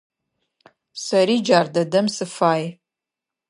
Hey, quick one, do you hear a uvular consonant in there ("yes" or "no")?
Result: no